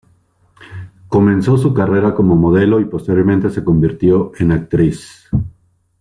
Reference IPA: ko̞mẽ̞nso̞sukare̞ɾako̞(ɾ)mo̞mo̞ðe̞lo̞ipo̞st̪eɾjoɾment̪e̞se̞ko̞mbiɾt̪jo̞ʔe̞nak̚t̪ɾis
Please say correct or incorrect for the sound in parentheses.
incorrect